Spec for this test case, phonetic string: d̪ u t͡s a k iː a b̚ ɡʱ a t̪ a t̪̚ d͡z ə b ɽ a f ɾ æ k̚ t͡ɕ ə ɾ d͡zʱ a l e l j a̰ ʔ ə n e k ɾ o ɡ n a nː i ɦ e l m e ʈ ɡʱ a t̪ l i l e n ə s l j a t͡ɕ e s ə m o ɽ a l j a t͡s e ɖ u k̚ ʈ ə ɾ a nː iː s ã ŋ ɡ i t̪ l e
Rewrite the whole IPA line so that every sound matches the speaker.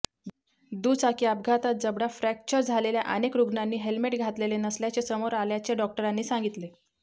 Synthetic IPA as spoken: d̪ u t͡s a k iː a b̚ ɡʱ a t̪ a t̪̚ d͡z ə b ɽ a f ɾ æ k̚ t͡ɕ ə ɾ d͡zʱ a l e l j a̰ ʔ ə n e k ɾ u ɡ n a nː iː ɦ e l m e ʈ ɡʱ a t̪ l e l e n ə s l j a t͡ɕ e s ə m o ɾ a l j a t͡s e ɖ ɔ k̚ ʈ ə ɾ a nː iː s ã ŋ ɡ i t̪ l e